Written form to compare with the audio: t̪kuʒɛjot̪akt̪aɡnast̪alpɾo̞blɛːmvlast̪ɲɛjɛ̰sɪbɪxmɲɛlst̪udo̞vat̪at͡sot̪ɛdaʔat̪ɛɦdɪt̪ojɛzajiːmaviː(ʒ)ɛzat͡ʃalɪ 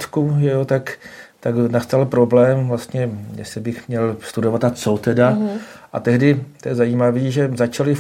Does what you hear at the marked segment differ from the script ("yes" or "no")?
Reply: no